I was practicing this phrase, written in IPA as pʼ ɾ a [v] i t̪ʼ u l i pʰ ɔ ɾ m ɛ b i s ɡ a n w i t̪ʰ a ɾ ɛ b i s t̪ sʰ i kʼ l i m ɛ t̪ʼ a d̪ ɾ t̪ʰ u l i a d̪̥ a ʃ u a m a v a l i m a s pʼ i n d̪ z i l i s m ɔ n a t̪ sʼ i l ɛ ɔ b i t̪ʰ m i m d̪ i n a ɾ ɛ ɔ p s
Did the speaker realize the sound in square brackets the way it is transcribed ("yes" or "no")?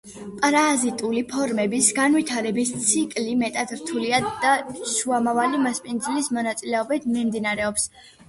no